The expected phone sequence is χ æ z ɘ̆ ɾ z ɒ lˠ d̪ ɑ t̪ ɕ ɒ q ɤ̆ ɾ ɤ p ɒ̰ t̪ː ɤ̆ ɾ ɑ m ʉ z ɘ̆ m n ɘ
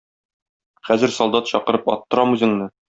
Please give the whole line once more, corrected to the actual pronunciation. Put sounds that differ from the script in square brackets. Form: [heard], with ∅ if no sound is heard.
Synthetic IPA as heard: χ æ z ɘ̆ ɾ [s] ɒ lˠ d̪ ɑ t̪ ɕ ɒ q ɤ̆ ɾ ɤ p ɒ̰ t̪ː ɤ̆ ɾ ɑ m ʉ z ɘ̆ [ŋ] n ɘ